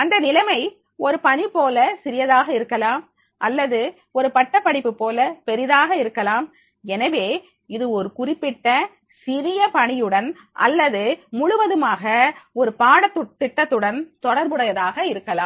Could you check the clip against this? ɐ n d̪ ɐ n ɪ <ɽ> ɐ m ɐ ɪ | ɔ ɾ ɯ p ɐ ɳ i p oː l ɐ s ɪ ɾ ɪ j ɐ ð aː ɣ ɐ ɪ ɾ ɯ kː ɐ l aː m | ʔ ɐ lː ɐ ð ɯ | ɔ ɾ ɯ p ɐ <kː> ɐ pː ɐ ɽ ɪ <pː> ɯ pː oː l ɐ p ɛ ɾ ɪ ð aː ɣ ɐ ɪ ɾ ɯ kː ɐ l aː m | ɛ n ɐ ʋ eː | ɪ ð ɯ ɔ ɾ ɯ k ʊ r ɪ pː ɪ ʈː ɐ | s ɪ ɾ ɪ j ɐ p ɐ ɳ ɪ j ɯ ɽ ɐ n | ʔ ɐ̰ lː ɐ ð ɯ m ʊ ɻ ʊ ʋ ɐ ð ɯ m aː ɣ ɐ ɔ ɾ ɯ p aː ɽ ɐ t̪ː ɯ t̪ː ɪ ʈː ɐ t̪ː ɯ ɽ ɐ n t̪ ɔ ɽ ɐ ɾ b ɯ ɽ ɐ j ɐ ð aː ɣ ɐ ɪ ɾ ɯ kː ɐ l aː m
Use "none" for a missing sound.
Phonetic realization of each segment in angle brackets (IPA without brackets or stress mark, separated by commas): l, ʈː, pː